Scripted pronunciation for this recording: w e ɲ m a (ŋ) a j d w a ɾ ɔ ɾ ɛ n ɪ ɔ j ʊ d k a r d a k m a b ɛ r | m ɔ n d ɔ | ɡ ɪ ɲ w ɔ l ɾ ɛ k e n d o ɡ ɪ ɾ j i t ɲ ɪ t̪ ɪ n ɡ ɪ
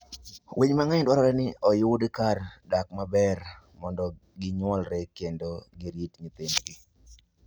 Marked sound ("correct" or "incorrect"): correct